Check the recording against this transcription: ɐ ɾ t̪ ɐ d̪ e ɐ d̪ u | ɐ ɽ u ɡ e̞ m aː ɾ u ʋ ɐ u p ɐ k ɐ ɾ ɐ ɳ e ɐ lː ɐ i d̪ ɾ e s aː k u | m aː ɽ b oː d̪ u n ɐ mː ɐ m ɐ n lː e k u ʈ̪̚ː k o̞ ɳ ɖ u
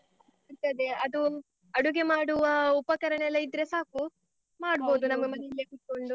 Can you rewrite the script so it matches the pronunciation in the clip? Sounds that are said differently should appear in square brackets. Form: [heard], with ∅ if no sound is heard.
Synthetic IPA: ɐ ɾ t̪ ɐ d̪ e ɐ d̪ u | ɐ ɽ u ɡ e̞ m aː [ɽ] u ʋ ɐ u p ɐ k ɐ ɾ ɐ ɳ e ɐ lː ɐ i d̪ ɾ e s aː k u | m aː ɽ b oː d̪ u n ɐ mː ɐ m ɐ n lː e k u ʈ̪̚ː k o̞ ɳ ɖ u